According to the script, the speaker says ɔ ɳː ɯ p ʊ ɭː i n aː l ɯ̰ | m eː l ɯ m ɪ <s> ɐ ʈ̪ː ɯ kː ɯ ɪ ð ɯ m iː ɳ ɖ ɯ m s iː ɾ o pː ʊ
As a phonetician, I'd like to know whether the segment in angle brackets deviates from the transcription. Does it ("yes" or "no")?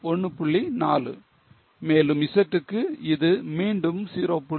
no